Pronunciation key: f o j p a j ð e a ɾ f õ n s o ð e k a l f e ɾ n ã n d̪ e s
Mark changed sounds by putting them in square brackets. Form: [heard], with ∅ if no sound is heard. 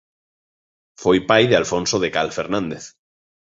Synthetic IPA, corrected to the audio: f o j p a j ð e a [l] f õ n s o ð e k a l f e ɾ n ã n d̪ e [θ]